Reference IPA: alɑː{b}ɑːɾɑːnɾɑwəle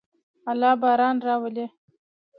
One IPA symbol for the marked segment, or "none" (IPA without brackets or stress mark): b